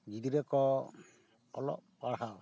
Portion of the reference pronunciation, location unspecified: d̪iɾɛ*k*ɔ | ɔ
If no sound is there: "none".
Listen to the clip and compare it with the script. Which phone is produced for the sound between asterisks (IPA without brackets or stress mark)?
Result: k